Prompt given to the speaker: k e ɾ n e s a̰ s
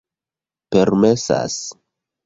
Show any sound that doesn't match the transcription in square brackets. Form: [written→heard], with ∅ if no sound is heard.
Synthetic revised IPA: [k→p] e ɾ [n→m] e s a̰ s